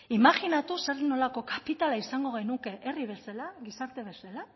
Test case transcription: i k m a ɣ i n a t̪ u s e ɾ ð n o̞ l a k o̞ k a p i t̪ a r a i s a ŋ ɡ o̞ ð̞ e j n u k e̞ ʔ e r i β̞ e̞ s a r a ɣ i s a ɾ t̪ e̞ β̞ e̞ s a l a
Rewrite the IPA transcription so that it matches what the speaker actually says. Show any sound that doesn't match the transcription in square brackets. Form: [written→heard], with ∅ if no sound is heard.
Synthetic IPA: i [k→∅] m a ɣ i n a t̪ u s e ɾ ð n o̞ l a k o̞ k a p i t̪ a [r→l] a i s a ŋ ɡ o̞ [ð̞→ɣ̞] e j n u k e̞ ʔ e r i β̞ e̞ s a [r→l] a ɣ i s a ɾ t̪ e̞ β̞ e̞ s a l a